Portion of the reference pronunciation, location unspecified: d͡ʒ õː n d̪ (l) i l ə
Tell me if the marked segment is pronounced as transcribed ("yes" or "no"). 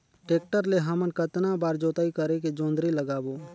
no